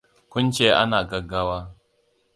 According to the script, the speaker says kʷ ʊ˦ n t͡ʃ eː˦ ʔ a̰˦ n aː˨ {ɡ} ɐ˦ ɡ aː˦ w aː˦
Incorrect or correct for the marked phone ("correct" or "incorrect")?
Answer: correct